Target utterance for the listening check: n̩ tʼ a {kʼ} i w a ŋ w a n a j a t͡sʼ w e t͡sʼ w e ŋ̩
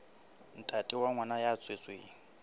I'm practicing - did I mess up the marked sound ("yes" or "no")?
yes